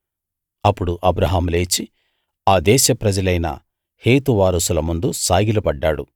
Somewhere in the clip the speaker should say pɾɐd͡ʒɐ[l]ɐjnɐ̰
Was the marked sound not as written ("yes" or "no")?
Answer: no